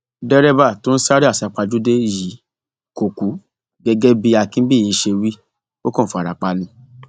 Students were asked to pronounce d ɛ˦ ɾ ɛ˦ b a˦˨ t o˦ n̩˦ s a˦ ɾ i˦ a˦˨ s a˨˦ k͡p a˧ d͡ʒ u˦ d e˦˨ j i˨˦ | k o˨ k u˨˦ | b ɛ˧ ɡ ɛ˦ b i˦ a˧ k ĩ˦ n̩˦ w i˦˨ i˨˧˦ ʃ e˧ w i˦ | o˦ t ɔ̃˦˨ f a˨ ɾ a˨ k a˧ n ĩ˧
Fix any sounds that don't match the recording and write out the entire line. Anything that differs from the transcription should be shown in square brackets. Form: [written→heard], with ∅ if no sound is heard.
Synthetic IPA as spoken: d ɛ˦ ɾ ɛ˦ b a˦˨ t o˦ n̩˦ s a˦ ɾ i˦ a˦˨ s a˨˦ k͡p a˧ d͡ʒ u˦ d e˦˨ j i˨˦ | k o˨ k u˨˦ | [b→ɡ] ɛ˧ ɡ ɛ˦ b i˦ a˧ k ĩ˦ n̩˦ [w→b] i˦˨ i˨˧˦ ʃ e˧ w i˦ | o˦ [t→k] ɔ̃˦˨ f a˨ ɾ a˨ [k→k͡p] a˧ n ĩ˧